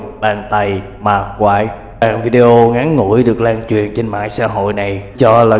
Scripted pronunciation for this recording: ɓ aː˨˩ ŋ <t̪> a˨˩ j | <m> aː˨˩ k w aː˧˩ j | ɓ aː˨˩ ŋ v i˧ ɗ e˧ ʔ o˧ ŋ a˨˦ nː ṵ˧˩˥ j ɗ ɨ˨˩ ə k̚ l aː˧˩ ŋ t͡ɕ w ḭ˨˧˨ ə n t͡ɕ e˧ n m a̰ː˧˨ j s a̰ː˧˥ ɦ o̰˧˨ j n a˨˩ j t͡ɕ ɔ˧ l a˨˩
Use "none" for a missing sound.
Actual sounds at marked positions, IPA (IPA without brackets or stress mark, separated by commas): t̪, m